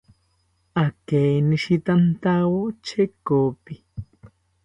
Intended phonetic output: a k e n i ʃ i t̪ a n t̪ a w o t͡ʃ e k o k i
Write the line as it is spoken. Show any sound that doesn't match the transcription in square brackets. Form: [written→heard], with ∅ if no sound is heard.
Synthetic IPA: a k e n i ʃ i t̪ a n t̪ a w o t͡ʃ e k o [k→p] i

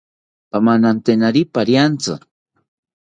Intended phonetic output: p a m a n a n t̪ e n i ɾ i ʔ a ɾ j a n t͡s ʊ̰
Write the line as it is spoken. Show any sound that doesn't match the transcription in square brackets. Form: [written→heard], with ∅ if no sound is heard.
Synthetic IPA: p a m a n a n t̪ e n [i→a] ɾ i [ʔ→p] a ɾ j a n t͡s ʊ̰

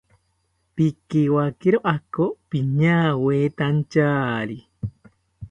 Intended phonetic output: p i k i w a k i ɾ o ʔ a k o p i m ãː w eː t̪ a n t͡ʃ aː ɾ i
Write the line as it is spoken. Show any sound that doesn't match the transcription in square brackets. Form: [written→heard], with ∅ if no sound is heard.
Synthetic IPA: p i k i w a k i ɾ o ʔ a k o p i [m→ɲ] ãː w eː t̪ a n t͡ʃ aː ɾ i

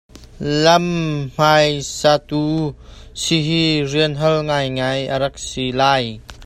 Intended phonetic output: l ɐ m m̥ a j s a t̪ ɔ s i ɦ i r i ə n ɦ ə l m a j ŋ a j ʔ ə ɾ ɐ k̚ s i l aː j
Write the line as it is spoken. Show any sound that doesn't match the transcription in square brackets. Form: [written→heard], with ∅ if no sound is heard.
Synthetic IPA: l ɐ m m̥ a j s a t̪ [ɔ→u] s i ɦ i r i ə n ɦ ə l [m→ŋ] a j ŋ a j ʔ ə ɾ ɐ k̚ s i l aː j

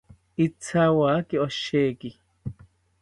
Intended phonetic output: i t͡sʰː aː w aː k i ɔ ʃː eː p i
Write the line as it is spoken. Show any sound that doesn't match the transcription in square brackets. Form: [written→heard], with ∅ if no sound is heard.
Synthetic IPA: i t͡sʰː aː w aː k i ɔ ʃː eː [p→k] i

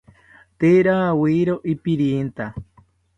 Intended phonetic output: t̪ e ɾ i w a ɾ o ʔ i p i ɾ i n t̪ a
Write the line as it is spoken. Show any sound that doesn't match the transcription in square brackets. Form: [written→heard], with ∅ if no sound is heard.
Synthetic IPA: t̪ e ɾ [i→a] w [a→i] ɾ o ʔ i p i ɾ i n t̪ a

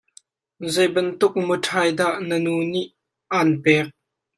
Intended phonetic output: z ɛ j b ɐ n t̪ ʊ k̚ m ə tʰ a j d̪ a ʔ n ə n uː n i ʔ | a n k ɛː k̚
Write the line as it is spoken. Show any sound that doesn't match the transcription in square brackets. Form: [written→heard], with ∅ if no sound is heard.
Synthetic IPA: z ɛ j b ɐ n t̪ ʊ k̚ m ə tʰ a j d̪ a ʔ n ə n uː n i ʔ | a n [k→p] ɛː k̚

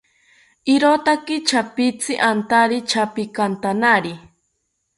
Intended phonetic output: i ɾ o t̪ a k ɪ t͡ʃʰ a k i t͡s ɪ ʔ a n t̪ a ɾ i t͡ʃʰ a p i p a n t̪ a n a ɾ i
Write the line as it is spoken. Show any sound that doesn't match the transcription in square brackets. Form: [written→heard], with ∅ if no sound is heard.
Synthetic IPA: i ɾ o t̪ a k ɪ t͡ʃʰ a [k→p] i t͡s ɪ ʔ a n t̪ a ɾ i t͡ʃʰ a p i [p→k] a n t̪ a n a ɾ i

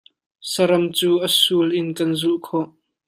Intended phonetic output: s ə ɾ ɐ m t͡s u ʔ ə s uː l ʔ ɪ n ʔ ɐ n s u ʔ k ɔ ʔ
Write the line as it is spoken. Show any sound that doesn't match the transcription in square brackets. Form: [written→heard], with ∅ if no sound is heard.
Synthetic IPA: s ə ɾ ɐ m t͡s [u→uː] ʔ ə s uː l ʔ ɪ n [ʔ→k] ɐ n [s→z] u ʔ [k→kʰ] ɔ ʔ

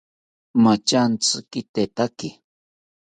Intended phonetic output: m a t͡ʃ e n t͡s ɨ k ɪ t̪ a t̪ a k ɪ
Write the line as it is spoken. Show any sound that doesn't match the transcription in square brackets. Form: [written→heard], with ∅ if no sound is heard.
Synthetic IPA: m a t͡ʃ [e→a] n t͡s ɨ k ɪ t̪ [a→e] t̪ a k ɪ

